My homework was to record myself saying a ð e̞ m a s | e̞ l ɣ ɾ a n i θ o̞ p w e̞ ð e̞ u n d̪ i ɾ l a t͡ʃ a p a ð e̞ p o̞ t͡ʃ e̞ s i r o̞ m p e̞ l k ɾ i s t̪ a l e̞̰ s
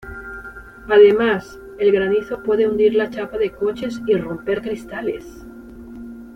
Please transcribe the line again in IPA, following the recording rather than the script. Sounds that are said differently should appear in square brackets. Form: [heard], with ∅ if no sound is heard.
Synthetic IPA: a ð e̞ m a s | e̞ l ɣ ɾ a n i θ o̞ p w e̞ ð e̞ u n d̪ i ɾ l a t͡ʃ a p a ð e̞ [k] o̞ t͡ʃ e̞ s i r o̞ m p e̞ [ɾ] k ɾ i s t̪ a l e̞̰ s